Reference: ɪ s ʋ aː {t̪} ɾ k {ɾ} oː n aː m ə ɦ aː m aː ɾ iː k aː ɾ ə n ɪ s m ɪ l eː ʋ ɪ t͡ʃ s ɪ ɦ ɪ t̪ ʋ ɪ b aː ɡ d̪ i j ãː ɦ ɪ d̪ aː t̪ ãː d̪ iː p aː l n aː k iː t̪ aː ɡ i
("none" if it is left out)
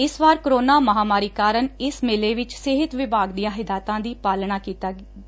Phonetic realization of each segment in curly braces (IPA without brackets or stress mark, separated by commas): none, ɾ